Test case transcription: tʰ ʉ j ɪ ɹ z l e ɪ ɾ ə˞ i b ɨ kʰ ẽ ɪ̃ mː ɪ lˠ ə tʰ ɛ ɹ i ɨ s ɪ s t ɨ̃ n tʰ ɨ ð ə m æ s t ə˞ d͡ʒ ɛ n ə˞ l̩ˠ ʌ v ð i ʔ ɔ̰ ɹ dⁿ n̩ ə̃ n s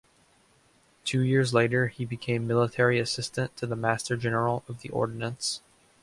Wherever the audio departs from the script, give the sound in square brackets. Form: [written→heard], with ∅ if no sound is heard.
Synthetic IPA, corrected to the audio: tʰ ʉ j ɪ ɹ z l e ɪ ɾ ə˞ i b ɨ kʰ ẽ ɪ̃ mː ɪ lˠ ə tʰ ɛ ɹ i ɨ s ɪ s t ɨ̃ n tʰ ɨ ð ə m æ s t ə˞ d͡ʒ ɛ n ə˞ l̩ˠ ʌ v ð i ʔ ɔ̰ ɹ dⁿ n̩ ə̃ n s